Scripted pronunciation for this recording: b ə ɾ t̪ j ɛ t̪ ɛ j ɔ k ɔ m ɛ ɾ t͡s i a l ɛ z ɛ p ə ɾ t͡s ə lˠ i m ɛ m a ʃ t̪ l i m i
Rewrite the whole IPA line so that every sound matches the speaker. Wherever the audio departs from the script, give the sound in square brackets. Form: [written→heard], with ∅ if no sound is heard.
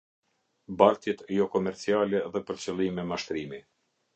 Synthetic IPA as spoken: b [ə→a] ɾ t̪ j ɛ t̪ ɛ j ɔ k ɔ m ɛ ɾ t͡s i a l ɛ [z→ð] ɛ p ə ɾ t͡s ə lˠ i m ɛ m a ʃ t̪ [l→ɾ] i m i